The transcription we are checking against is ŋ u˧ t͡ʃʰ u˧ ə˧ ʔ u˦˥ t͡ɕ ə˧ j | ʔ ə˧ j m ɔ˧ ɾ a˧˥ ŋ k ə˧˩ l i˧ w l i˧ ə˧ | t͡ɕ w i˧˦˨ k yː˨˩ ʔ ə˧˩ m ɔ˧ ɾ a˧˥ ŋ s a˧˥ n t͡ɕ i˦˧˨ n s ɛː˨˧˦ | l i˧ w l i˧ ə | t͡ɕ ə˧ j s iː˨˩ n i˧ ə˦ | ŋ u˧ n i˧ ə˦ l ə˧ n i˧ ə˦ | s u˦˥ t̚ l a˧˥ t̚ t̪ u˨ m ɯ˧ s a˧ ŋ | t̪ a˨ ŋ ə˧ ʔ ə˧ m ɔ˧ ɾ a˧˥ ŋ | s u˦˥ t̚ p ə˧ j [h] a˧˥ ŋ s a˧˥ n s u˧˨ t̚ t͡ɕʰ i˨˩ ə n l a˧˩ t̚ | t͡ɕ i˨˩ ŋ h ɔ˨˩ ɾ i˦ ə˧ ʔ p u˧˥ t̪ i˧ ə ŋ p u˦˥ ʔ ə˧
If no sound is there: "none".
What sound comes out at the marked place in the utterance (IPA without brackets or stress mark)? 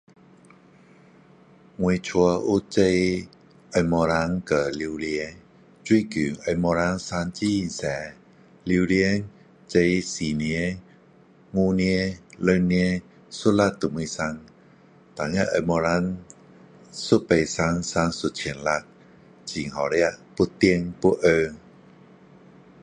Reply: s